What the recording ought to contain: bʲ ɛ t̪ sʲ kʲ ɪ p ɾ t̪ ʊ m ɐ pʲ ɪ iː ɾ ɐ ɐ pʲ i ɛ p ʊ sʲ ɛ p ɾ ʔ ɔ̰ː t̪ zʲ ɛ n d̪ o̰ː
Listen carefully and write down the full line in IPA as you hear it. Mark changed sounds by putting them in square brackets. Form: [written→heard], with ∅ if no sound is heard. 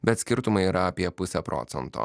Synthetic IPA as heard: bʲ ɛ t̪ sʲ kʲ ɪ [p→∅] ɾ t̪ ʊ m ɐ [pʲ→∅] ɪ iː ɾ ɐ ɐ pʲ i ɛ p ʊ sʲ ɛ p ɾ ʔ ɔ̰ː t̪ [zʲ→sʲ] ɛ n [d̪→t̪] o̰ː